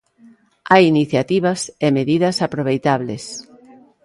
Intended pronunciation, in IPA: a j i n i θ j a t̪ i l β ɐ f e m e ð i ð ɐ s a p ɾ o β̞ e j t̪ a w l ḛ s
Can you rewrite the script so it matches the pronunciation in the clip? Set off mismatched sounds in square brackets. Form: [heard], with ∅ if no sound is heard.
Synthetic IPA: a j i n i θ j a t̪ i [∅] β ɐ [s] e m e ð i ð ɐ s a p ɾ o β̞ e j t̪ a [β] l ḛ s